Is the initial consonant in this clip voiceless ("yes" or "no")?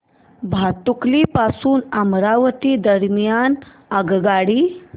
no